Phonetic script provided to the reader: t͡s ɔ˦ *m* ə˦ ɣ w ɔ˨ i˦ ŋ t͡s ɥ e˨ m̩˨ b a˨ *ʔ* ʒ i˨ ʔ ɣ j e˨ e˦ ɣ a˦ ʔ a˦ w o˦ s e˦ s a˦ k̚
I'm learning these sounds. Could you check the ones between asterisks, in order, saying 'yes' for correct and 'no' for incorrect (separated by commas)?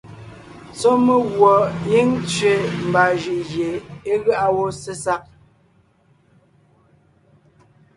yes, no